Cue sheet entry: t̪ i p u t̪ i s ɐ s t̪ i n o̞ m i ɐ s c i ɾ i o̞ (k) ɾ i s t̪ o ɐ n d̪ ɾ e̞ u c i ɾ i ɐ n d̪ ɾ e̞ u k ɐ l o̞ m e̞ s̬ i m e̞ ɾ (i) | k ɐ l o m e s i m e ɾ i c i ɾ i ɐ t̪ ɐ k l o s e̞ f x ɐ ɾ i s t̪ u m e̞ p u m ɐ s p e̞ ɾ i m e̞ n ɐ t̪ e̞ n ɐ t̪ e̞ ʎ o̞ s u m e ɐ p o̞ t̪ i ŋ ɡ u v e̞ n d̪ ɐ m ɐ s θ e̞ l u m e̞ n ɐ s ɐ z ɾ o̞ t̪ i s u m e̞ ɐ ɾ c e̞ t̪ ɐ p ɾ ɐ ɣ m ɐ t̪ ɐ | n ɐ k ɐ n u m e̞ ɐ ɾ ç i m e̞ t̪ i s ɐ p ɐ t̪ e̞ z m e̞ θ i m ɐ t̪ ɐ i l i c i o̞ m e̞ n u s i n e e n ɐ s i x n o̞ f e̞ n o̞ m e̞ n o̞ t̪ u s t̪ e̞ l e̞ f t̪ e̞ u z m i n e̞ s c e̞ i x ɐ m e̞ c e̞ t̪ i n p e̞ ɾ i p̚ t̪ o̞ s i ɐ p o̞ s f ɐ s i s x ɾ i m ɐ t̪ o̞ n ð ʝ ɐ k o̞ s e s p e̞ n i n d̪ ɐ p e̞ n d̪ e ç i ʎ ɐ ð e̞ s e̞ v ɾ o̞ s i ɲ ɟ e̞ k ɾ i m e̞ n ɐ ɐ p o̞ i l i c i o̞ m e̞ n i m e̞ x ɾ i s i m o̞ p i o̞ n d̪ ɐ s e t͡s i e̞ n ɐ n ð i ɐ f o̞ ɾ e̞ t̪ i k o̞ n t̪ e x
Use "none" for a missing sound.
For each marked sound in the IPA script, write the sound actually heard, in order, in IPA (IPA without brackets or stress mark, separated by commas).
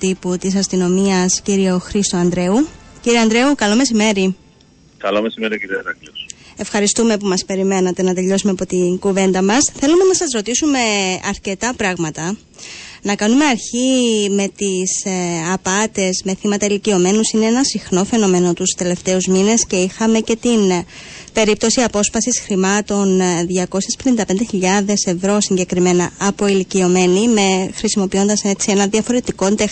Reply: x, i